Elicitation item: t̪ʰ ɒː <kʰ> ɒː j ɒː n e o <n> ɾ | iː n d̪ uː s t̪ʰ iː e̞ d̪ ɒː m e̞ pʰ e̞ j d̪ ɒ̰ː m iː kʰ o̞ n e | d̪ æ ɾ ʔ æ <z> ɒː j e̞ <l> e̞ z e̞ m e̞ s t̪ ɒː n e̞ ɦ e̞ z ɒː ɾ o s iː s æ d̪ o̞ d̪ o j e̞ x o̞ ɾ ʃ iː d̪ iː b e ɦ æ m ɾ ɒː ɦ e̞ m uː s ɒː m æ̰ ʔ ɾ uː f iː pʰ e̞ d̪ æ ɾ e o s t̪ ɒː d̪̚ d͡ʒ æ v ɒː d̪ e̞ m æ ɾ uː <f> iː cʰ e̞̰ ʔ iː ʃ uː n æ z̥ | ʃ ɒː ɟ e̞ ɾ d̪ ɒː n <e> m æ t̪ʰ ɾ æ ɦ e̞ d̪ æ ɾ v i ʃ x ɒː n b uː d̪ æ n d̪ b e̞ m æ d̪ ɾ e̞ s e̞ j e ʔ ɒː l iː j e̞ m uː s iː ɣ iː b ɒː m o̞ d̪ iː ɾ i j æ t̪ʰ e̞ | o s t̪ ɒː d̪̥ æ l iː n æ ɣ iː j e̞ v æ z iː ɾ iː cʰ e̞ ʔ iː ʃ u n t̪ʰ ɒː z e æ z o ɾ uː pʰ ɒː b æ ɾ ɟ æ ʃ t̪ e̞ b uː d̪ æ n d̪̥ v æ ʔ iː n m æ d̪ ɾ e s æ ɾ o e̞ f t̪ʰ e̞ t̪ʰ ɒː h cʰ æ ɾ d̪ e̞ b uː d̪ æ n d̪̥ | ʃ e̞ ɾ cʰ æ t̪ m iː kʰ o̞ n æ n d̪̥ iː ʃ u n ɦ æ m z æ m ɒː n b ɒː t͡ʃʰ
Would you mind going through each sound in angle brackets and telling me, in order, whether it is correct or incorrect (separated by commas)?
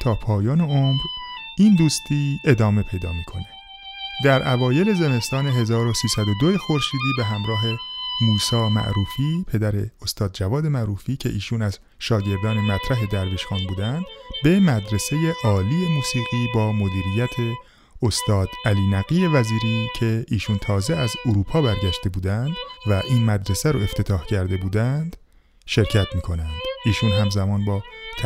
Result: incorrect, incorrect, incorrect, correct, correct, correct